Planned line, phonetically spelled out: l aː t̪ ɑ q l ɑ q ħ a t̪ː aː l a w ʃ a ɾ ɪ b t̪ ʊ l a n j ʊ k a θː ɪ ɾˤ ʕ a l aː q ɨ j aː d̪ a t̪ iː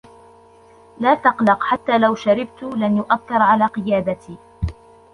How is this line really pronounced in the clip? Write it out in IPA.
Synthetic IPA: l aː t̪ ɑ q l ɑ q ħ a t̪ː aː l a w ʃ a ɾ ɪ b t̪ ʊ l a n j ʊ ʔ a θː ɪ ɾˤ ʕ a l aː q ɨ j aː d̪ a t̪ iː